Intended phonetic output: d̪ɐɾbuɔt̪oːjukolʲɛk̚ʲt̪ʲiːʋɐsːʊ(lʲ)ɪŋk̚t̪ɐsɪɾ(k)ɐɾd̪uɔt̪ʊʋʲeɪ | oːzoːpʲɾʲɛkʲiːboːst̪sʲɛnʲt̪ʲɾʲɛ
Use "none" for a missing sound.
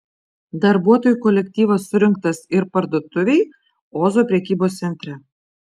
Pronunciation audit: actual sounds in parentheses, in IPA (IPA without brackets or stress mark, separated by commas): ɾʲ, p